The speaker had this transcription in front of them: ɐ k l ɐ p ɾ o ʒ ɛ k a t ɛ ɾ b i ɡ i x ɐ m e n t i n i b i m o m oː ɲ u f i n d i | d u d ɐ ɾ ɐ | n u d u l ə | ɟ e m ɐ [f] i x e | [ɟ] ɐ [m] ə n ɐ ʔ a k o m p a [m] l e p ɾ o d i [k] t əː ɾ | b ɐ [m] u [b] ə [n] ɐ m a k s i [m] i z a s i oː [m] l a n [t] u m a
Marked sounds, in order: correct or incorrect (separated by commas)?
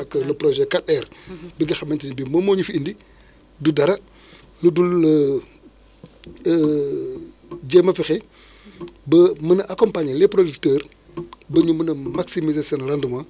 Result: correct, incorrect, correct, incorrect, correct, incorrect, incorrect, correct, correct, incorrect, incorrect